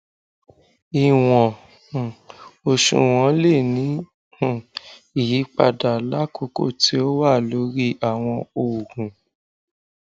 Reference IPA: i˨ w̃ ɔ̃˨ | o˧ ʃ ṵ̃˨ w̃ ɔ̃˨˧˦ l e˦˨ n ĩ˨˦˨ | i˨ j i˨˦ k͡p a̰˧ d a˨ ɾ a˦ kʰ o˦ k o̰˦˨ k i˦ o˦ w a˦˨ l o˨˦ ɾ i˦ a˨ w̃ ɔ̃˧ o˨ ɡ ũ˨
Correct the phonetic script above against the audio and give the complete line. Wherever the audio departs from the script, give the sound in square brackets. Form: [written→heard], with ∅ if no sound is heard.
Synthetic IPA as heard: i˨ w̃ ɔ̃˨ | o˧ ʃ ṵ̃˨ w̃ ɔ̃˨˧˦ l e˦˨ n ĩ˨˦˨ | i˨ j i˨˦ k͡p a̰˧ d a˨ [ɾ→l] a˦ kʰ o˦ k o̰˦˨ [k→t] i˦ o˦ w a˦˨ l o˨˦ ɾ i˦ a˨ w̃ ɔ̃˧ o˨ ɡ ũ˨